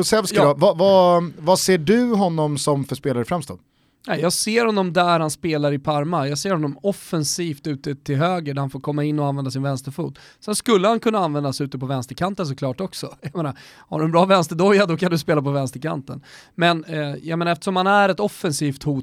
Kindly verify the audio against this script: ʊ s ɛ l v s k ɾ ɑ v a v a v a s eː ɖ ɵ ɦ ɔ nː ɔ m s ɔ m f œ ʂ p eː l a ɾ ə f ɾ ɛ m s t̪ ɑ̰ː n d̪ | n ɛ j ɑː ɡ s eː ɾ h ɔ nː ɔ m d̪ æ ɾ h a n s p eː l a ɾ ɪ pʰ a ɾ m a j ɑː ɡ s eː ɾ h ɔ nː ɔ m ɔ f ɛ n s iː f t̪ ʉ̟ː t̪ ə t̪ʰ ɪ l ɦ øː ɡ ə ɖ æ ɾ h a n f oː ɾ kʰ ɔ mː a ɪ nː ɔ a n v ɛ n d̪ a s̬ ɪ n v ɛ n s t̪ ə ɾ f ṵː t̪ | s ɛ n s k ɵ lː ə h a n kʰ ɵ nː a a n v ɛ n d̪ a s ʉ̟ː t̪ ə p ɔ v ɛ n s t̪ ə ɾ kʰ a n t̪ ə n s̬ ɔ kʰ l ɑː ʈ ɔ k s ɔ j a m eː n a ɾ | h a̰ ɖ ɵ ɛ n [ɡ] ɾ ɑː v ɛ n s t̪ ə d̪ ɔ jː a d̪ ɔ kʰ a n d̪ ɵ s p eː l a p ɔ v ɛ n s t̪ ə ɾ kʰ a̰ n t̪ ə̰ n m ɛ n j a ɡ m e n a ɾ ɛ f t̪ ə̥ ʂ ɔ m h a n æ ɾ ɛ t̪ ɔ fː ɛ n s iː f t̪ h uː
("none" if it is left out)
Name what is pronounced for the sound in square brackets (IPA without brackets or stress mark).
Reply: b